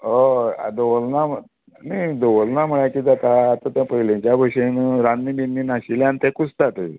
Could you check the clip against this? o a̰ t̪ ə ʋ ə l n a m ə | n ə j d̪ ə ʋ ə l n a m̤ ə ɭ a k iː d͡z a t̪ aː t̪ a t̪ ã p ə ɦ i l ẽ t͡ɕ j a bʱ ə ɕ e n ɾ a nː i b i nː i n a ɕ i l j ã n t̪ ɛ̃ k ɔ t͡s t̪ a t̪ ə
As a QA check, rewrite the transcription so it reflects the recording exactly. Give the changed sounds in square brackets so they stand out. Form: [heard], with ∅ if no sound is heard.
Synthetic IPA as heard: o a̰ [d̪] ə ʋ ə l n a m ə | n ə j d̪ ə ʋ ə l n a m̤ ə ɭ a k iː d͡z a t̪ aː t̪ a t̪ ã p ə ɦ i l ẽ t͡ɕ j a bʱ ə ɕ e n ɾ a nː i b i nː i n a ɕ i l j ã n t̪ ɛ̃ k [u] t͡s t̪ a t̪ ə